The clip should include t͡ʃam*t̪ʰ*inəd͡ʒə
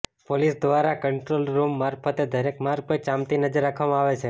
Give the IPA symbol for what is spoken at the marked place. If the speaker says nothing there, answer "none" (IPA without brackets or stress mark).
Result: t̪